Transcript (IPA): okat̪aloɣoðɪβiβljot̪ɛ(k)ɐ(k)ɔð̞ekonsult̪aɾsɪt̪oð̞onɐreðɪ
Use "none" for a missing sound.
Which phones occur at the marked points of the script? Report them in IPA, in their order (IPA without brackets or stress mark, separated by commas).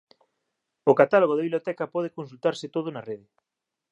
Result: k, p